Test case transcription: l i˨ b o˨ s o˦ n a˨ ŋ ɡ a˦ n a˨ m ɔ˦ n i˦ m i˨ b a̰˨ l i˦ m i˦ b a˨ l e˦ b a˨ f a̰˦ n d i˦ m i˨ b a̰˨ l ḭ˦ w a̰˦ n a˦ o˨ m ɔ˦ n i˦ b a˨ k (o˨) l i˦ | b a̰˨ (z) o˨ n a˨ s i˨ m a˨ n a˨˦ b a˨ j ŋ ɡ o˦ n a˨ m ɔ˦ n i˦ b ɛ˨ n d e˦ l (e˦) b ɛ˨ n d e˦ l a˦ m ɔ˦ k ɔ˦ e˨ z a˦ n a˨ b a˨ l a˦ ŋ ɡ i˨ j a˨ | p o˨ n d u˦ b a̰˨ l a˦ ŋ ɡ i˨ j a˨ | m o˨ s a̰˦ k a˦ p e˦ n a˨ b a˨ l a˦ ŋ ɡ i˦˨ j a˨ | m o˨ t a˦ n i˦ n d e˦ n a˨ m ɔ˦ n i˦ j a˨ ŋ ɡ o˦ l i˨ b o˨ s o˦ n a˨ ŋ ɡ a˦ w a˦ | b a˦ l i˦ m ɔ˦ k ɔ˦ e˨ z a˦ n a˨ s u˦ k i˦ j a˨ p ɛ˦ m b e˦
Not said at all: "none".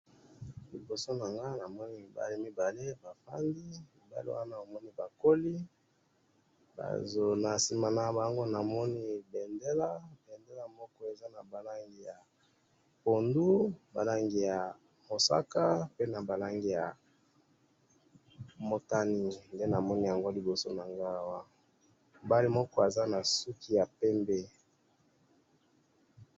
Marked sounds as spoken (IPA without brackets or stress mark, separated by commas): o˦, z, a˦